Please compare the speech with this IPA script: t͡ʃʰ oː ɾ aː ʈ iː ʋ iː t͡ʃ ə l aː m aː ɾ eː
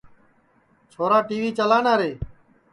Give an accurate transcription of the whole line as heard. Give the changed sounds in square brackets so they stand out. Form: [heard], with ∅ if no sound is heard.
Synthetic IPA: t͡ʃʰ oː ɾ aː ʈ iː ʋ iː t͡ʃ ə l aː [n] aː ɾ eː